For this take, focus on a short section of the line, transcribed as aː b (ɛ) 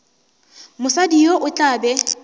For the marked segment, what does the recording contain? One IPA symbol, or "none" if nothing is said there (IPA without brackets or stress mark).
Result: ɛ